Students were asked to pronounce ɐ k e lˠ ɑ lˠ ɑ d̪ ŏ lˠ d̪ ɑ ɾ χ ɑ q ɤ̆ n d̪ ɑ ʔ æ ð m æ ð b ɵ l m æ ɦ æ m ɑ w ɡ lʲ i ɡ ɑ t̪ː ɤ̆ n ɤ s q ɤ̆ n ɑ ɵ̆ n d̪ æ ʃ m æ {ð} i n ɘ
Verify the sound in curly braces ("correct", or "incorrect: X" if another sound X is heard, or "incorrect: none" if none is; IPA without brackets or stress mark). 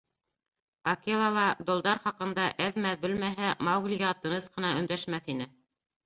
incorrect: θ